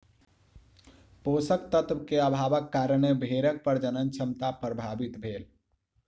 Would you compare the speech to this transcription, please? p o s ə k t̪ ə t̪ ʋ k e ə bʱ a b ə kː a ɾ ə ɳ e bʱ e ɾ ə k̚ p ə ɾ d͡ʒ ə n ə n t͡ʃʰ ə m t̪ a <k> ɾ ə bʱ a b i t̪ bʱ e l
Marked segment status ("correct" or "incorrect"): incorrect